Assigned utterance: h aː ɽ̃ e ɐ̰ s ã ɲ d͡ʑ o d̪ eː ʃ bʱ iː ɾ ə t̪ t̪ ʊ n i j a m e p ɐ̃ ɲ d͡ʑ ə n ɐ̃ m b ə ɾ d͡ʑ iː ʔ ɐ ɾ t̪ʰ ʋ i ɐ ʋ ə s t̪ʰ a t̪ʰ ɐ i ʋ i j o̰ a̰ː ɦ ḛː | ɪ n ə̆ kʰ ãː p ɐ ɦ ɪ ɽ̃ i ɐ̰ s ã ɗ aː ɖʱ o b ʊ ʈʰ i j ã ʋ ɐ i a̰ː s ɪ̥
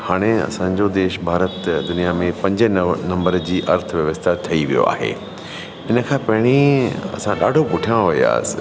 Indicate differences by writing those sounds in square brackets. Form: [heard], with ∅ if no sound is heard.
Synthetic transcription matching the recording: h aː ɽ̃ e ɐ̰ s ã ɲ d͡ʑ o d̪ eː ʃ bʱ [aː] ɾ ə t̪ [d̪] ʊ n i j a m [ẽ] p ɐ̃ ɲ d͡ʑ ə n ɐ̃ m b ə ɾ d͡ʑ iː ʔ ɐ ɾ t̪ʰ ʋ [j] ɐ ʋ ə s t̪ʰ a t̪ʰ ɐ i ʋ i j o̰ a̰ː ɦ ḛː | ɪ n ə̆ kʰ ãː p ɐ ɦ ɪ ɽ̃ i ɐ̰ s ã ɗ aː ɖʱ o [p] ʊ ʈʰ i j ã ʋ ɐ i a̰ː s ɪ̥